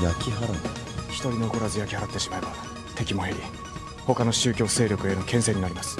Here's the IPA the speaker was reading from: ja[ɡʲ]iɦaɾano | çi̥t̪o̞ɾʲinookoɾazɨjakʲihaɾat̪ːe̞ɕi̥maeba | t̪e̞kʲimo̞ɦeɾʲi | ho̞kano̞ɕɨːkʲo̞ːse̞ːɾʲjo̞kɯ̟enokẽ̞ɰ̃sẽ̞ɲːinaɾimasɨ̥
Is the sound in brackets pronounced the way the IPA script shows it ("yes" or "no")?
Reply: no